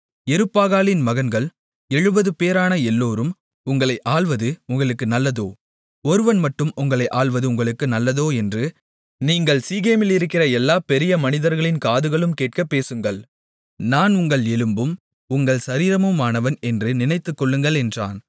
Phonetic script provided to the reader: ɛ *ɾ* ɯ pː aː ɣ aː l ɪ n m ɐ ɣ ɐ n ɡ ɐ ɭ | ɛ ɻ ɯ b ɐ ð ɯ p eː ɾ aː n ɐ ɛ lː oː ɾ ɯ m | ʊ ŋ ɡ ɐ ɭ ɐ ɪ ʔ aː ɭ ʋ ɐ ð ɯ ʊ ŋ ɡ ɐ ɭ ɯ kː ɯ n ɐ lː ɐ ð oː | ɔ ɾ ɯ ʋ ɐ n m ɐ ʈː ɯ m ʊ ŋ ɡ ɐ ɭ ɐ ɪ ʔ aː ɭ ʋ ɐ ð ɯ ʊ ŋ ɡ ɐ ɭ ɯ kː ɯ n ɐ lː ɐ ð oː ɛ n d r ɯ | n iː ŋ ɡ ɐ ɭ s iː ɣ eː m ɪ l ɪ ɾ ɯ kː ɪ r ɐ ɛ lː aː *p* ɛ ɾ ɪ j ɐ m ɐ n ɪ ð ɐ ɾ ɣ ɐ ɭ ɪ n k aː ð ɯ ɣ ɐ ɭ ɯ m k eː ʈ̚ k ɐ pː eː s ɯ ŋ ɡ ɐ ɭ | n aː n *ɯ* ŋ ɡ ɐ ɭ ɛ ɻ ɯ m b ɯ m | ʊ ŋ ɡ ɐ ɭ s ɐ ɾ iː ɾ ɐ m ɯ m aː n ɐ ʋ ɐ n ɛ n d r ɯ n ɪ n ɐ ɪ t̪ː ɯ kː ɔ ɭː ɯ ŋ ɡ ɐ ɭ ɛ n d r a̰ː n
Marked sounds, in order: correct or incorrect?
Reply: correct, correct, incorrect

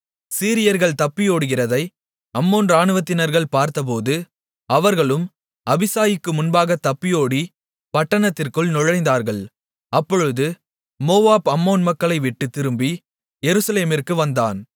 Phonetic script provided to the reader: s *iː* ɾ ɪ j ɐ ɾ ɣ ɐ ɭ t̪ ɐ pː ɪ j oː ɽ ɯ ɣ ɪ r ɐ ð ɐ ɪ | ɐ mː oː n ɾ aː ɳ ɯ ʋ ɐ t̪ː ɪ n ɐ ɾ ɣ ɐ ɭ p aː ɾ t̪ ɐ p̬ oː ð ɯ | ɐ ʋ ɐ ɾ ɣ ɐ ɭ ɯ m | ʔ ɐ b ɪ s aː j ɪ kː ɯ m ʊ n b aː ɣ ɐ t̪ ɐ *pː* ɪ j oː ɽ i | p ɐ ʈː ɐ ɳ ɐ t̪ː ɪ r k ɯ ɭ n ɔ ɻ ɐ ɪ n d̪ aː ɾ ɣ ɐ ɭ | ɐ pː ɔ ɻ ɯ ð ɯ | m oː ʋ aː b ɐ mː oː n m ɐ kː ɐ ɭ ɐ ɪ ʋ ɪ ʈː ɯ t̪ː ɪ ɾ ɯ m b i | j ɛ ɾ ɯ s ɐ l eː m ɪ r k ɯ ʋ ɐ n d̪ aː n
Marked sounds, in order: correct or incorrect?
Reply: correct, correct

